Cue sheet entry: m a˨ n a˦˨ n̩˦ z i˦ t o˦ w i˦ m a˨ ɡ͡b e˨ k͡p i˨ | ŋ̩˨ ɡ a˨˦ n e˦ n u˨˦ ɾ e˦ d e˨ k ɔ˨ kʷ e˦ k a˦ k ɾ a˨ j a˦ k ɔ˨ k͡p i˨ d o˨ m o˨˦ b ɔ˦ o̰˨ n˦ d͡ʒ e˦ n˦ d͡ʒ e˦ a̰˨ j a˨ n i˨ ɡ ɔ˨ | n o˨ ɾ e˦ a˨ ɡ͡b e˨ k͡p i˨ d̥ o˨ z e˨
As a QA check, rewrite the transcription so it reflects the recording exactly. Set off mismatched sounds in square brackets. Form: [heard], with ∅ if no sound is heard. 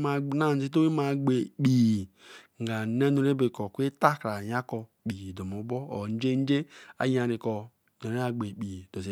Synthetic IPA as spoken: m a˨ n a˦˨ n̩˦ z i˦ t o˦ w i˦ m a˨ ɡ͡b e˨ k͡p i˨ | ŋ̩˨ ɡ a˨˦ n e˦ n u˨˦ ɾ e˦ [b] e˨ k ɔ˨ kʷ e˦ [t] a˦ k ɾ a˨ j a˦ k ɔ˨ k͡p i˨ d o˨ m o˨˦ b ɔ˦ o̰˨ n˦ d͡ʒ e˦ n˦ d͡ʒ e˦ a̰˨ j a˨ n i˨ [k] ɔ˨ | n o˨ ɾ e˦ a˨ ɡ͡b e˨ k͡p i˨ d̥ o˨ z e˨